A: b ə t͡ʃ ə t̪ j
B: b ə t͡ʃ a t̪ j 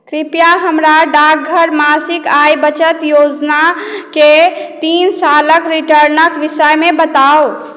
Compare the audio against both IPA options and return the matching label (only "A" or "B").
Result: A